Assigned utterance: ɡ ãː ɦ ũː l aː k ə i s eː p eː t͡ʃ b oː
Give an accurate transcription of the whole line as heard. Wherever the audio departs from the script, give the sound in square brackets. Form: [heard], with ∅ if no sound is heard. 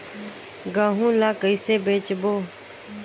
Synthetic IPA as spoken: ɡ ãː ɦ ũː l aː k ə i s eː [b] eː t͡ʃ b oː